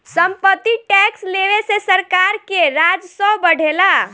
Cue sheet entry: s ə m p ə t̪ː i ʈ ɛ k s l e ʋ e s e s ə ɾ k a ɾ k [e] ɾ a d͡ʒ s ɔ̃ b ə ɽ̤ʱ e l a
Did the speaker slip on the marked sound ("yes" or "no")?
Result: no